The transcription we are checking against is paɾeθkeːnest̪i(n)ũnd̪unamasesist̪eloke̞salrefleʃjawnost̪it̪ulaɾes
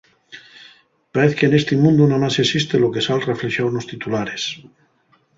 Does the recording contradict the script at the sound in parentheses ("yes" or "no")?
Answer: yes